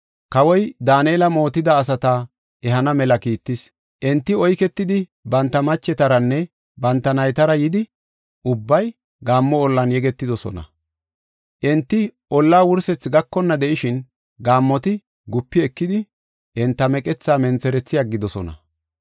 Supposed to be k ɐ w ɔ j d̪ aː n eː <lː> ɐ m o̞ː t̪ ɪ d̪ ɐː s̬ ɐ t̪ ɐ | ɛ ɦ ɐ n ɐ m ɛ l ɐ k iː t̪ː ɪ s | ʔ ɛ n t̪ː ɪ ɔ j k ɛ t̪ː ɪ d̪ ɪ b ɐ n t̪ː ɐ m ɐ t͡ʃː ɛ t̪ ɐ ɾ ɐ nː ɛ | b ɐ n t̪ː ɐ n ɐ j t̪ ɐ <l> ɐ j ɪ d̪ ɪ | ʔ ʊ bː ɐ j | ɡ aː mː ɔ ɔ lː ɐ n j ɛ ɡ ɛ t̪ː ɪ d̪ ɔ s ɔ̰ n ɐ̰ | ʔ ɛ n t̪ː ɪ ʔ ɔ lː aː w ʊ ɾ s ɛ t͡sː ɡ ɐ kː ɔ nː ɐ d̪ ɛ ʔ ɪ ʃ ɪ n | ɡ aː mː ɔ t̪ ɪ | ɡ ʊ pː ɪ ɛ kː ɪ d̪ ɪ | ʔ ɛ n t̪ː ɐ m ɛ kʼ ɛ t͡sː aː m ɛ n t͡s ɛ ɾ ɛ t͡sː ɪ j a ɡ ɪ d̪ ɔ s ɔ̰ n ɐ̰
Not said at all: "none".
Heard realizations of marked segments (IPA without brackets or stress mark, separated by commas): l, ɾ